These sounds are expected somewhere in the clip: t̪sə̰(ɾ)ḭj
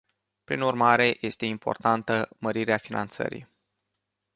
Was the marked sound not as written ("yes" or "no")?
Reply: no